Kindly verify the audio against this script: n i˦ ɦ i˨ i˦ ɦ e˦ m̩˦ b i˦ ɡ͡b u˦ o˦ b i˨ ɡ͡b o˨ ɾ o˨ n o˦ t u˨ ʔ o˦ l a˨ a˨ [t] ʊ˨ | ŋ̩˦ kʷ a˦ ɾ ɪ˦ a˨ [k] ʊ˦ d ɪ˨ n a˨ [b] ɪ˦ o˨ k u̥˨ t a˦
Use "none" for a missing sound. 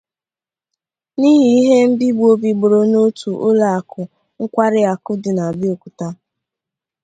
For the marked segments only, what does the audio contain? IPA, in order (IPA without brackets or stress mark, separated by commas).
k, k, b